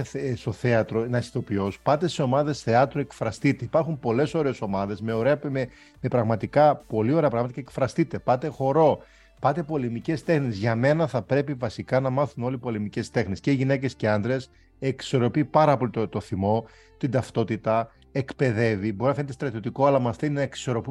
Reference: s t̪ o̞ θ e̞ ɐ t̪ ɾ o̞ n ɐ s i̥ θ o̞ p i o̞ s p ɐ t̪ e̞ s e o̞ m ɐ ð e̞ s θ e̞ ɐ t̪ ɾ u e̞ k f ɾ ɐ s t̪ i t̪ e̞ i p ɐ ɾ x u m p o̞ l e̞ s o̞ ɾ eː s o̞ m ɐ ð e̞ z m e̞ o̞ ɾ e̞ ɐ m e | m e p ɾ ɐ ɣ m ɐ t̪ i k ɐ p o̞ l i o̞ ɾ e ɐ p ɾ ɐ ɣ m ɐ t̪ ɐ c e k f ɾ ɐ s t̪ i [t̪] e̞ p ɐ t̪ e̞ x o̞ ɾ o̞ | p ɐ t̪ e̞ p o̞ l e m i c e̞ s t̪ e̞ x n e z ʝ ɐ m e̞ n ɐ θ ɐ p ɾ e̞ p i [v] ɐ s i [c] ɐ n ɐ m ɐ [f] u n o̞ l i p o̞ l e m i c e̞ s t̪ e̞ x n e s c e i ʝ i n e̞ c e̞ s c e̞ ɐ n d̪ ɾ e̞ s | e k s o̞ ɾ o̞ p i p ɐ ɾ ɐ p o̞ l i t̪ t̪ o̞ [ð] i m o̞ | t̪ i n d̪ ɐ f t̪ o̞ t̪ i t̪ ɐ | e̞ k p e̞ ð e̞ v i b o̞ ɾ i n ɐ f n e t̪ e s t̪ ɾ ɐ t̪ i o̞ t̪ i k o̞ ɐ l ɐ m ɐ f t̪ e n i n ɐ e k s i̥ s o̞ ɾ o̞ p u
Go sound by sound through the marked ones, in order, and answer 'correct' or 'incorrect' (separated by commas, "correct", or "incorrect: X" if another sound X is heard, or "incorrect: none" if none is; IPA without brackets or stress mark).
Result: correct, correct, incorrect: k, incorrect: θ, incorrect: θ